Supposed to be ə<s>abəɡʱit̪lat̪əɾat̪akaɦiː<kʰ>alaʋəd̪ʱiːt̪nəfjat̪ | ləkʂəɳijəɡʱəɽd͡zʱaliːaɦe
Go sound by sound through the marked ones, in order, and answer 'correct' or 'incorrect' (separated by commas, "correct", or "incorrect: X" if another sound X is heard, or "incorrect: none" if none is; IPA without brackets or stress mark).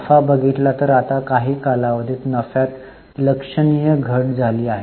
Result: incorrect: f, incorrect: k